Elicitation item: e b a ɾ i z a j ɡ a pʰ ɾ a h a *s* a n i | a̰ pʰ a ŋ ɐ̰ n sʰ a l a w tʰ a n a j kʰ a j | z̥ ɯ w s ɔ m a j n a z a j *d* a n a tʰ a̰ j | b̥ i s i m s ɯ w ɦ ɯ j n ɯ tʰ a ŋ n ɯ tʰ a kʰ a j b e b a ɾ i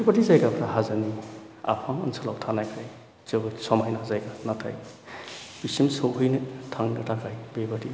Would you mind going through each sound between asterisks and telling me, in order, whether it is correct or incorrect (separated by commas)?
incorrect, incorrect